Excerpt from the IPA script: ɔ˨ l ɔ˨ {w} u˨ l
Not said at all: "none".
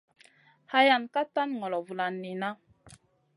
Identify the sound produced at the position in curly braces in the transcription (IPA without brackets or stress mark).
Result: v